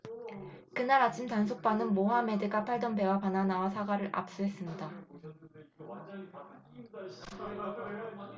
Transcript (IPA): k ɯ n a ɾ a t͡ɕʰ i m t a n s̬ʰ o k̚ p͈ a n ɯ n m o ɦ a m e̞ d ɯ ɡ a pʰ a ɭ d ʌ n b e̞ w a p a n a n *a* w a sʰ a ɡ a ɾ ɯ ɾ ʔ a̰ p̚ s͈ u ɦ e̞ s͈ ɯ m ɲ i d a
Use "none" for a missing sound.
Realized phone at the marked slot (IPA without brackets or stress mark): a